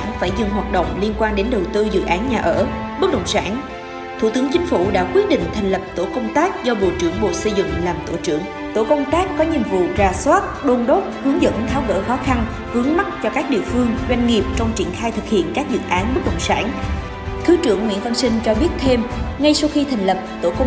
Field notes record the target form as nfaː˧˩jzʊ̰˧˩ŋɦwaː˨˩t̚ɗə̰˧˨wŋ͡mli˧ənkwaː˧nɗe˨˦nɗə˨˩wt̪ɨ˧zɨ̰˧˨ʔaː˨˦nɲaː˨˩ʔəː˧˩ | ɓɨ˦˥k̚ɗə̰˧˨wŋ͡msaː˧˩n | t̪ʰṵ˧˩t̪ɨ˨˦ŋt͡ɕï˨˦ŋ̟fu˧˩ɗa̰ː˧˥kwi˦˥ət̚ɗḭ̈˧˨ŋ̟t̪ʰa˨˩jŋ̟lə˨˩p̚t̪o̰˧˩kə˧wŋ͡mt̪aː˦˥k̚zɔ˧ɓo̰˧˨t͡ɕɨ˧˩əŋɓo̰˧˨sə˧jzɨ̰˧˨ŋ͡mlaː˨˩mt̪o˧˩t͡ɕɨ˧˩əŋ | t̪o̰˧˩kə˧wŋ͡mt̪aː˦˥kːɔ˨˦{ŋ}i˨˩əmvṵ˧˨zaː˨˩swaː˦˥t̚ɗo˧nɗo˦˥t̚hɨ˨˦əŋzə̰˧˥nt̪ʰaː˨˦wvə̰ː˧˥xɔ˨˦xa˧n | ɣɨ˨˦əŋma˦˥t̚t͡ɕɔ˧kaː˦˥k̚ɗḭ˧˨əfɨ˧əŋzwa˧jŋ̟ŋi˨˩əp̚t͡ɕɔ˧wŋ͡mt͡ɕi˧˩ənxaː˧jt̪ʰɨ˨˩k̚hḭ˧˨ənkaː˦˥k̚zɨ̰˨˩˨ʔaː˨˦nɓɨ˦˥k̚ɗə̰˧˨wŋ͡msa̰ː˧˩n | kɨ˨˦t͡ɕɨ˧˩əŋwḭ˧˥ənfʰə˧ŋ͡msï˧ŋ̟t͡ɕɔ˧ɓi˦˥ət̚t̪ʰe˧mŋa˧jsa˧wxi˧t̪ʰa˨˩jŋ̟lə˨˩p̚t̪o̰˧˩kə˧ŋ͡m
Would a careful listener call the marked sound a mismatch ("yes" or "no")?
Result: yes